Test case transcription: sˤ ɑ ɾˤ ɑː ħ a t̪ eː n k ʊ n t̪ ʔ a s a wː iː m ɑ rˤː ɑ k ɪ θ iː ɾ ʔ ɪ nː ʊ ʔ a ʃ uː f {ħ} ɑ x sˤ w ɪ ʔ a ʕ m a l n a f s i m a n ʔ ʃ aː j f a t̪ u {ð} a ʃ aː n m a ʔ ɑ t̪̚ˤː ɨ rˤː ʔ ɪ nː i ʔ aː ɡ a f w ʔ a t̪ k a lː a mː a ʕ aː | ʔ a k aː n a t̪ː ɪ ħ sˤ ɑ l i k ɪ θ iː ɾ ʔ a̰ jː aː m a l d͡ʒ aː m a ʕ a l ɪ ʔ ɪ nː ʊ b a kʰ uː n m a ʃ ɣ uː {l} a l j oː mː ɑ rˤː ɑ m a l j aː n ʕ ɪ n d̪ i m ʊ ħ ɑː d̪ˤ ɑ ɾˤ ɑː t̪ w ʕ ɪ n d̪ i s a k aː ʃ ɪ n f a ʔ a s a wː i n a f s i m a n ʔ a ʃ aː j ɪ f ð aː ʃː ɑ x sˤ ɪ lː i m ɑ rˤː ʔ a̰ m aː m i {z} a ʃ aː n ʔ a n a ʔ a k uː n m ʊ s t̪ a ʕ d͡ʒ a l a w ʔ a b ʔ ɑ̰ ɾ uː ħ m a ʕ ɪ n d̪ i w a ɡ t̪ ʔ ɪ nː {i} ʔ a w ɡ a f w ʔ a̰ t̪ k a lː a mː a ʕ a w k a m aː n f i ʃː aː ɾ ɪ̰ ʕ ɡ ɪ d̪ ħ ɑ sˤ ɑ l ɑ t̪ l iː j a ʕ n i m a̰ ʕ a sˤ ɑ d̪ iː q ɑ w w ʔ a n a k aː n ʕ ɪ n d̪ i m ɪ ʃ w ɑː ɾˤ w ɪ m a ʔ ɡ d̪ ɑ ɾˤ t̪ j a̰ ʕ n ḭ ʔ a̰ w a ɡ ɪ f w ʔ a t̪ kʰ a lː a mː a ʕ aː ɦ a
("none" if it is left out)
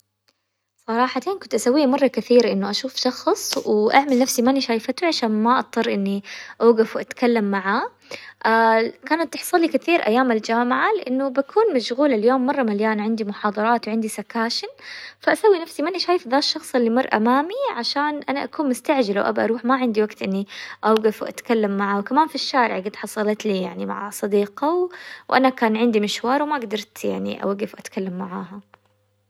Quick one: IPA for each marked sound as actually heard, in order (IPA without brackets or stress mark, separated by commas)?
ʃ, ʕ, l, ʕ, i